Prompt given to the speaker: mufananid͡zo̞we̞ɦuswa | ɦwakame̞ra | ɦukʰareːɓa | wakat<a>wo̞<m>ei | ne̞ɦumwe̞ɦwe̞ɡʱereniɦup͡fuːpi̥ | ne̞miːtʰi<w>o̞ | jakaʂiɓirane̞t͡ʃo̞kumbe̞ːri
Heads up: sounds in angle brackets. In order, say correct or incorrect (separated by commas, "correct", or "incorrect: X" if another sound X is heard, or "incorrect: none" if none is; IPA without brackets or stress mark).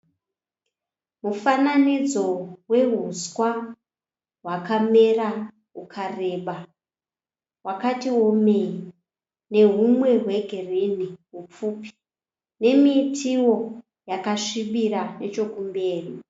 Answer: incorrect: i, correct, correct